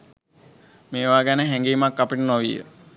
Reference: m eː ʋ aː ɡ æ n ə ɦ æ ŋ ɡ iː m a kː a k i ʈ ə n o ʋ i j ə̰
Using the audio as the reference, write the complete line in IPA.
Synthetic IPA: m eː ʋ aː ɡ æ n ə ɦ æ ŋ ɡ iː m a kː a p i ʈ ə n o ʋ i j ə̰